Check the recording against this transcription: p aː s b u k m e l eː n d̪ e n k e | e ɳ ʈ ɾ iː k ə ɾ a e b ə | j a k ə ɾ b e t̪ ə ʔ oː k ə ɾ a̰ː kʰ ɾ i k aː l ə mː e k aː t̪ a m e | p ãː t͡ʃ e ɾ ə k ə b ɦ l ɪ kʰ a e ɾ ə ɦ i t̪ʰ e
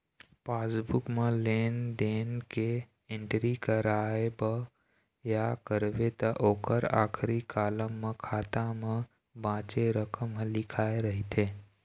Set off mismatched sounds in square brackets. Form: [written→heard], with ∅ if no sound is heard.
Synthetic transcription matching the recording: p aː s b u k m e l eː n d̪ e n k e | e ɳ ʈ ɾ [iː→i] k ə ɾ a e b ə | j a k ə ɾ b e t̪ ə ʔ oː k ə ɾ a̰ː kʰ ɾ i k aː l ə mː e [k→kʰ] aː t̪ a m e | [p→b] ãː t͡ʃ e ɾ ə k ə [b→m] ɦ l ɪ kʰ a e ɾ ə ɦ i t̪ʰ e